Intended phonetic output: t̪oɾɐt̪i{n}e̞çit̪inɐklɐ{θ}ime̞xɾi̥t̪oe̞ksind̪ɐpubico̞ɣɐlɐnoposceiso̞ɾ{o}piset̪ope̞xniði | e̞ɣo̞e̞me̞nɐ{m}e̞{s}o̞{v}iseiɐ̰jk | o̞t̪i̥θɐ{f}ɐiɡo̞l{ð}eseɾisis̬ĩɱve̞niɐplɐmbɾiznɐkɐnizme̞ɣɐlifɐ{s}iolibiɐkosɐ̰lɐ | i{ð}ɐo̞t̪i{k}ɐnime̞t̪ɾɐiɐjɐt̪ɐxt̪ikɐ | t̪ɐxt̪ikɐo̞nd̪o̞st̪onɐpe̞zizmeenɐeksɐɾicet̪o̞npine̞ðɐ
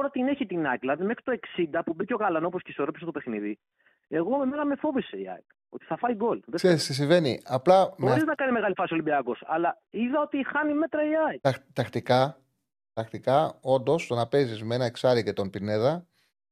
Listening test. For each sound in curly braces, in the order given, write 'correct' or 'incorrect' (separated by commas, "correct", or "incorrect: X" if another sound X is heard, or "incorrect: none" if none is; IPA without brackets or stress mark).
correct, incorrect: ð, correct, correct, incorrect: f, correct, correct, correct, correct, correct, incorrect: x